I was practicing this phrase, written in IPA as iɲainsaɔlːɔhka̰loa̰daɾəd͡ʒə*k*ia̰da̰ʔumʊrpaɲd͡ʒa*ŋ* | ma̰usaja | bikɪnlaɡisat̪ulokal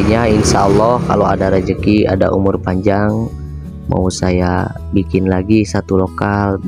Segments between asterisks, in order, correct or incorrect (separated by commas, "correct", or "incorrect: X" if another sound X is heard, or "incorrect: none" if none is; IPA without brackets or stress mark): correct, correct